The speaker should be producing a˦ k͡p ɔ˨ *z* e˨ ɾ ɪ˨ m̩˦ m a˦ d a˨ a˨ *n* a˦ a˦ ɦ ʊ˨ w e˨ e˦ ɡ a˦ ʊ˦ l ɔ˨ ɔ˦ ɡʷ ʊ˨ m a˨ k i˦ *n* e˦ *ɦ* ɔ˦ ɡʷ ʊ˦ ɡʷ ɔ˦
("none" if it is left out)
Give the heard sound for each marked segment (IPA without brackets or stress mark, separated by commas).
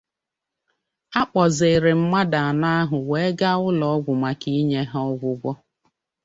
z, n, ɲ, ɦ